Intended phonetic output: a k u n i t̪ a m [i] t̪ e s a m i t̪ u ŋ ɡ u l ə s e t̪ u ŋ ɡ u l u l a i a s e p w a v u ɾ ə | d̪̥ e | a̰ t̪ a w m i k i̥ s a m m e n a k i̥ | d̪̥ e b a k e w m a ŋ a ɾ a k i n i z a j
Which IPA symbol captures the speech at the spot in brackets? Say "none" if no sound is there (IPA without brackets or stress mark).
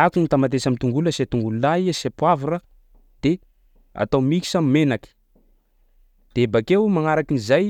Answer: a